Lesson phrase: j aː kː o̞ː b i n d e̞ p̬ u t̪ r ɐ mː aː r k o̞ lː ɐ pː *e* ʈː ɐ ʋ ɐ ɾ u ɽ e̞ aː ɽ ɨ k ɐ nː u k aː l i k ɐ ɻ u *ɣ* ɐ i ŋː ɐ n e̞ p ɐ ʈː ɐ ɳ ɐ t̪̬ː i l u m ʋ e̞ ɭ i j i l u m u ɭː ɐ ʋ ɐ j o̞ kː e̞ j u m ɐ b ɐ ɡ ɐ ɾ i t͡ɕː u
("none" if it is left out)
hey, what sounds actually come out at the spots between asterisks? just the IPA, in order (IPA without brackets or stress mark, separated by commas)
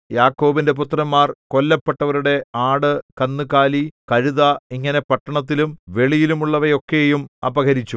e, ð